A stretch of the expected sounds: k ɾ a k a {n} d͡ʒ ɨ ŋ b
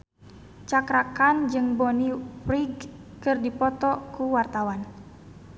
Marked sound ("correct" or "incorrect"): correct